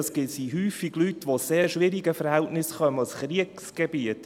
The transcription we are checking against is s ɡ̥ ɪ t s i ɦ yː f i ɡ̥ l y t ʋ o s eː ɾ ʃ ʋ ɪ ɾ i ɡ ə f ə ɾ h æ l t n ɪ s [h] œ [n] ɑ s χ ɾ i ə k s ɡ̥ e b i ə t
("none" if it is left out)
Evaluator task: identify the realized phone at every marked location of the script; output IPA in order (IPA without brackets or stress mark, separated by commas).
χ, m